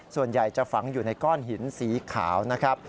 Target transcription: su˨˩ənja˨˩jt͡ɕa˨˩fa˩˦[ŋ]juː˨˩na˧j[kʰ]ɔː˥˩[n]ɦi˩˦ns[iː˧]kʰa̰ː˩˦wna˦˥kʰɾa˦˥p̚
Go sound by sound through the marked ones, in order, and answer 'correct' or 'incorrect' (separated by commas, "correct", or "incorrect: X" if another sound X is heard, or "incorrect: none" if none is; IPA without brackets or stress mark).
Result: correct, incorrect: k, correct, incorrect: iː˩˦